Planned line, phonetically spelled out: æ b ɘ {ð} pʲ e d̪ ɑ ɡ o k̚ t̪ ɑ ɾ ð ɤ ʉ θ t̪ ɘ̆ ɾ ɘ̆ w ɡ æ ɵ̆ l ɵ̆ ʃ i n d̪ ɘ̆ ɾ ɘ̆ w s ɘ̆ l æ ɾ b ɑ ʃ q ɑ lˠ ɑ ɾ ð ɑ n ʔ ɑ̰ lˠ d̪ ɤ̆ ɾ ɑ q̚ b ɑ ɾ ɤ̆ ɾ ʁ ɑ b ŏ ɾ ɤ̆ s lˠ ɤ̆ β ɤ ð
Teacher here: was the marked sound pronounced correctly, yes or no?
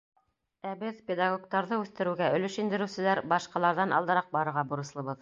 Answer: yes